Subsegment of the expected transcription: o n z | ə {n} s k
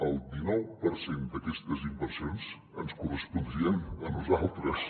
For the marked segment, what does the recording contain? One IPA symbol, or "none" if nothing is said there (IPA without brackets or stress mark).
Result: n